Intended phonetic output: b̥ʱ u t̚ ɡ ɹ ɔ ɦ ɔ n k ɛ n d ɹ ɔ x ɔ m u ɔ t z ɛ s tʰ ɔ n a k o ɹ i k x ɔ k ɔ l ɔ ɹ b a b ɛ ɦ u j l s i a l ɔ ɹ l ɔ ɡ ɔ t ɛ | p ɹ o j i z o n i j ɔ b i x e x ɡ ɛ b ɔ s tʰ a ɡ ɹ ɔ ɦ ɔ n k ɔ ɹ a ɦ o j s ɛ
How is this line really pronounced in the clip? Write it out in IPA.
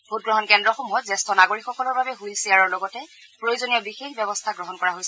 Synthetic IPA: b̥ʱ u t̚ ɡ ɹ ɔ ɦ ɔ n k ɛ n d ɹ ɔ x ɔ m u ɔ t z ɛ s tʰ ɔ n a ɡ o ɹ i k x ɔ k ɔ l ɔ ɹ b a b ɛ ɦ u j l s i a ɹ ɔ ɹ l ɔ ɡ ɔ t ɛ | p ɹ o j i z o n i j ɔ b i x e x b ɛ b ɔ s tʰ a ɡ ɹ ɔ ɦ ɔ n k ɔ ɹ a ɦ o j s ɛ